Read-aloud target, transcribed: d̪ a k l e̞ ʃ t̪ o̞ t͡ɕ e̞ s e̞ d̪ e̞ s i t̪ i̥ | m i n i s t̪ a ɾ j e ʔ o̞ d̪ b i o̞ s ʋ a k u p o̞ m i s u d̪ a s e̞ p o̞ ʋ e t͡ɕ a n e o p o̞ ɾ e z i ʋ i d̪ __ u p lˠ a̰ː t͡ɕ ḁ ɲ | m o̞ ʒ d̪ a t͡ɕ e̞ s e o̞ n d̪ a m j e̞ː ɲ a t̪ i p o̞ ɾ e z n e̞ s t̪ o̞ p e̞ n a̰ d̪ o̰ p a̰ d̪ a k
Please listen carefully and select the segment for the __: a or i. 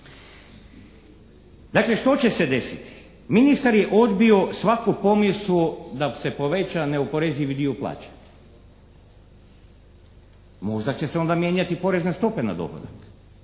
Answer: i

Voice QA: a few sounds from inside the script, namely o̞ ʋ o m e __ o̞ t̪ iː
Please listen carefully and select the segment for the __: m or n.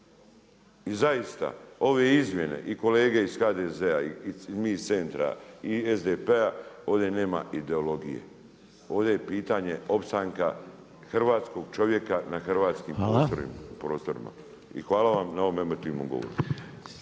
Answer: m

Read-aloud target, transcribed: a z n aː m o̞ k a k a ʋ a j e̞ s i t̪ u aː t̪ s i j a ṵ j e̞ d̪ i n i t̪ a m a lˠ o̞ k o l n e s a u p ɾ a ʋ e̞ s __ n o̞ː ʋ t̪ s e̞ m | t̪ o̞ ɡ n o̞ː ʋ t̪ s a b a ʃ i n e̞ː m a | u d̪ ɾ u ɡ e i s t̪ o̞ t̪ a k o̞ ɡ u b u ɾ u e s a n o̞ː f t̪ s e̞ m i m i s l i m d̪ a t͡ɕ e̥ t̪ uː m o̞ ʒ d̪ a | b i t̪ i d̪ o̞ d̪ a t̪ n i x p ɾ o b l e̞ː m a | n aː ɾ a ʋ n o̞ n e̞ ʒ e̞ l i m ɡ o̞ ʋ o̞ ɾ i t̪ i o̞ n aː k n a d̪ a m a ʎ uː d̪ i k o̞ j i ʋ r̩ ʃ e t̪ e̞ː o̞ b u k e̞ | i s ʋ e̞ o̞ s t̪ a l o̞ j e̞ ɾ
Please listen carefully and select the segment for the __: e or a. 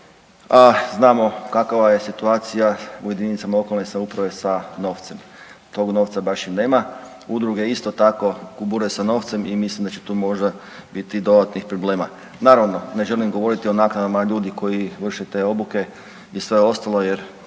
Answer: a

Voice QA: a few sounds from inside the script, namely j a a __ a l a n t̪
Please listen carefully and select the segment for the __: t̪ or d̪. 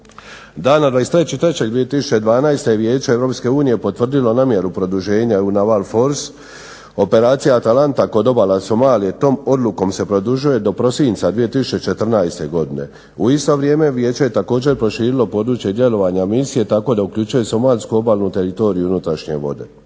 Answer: t̪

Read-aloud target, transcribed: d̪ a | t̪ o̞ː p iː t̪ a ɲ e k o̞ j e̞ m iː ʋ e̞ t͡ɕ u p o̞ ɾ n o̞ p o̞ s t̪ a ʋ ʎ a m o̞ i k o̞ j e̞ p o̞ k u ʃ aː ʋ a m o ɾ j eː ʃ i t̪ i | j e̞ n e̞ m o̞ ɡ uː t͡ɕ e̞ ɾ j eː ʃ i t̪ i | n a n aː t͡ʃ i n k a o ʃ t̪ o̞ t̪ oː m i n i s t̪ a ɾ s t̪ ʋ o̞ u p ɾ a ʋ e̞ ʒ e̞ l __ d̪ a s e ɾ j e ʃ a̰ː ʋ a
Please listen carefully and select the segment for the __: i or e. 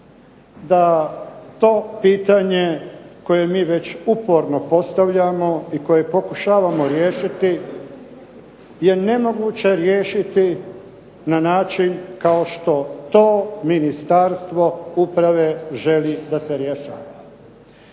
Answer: i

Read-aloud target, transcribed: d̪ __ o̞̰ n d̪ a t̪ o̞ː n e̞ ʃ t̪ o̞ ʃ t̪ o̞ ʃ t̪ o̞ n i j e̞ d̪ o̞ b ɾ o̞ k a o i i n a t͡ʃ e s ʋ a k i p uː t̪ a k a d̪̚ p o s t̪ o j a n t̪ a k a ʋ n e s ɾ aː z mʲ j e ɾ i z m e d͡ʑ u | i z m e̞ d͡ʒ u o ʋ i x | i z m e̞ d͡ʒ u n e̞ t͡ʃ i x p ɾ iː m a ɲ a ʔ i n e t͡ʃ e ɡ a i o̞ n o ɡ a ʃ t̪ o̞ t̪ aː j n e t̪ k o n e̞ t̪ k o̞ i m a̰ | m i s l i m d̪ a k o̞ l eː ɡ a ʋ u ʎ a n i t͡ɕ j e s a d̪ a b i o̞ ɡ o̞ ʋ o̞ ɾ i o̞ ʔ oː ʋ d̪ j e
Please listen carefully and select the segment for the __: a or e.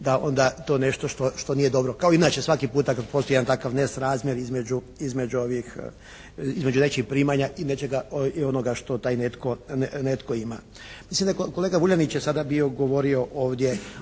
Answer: a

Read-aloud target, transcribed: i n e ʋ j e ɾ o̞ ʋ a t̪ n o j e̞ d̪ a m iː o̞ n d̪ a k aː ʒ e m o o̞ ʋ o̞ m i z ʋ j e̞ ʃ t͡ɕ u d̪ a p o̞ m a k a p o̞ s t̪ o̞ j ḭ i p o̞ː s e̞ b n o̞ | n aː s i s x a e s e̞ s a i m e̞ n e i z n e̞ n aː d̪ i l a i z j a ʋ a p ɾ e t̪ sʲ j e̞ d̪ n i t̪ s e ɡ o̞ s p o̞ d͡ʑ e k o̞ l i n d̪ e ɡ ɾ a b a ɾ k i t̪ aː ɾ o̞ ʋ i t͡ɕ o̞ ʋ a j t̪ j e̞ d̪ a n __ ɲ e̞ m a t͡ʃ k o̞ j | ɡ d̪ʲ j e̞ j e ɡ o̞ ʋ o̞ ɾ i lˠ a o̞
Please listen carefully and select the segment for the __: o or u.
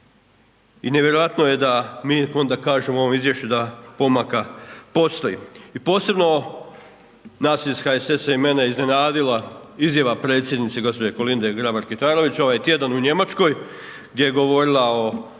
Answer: u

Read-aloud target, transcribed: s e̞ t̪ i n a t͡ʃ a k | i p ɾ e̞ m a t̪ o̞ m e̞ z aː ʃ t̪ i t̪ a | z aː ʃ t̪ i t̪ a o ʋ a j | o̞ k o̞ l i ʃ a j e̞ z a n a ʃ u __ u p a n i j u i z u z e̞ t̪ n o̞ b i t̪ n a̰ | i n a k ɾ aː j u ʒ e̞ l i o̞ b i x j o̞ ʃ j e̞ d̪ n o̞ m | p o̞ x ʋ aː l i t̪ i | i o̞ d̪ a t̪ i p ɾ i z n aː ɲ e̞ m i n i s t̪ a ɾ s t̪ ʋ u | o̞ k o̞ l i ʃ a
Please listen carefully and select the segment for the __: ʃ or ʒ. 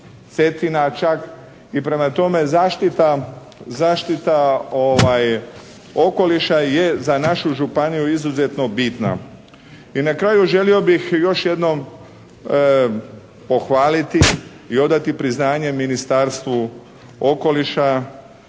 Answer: ʒ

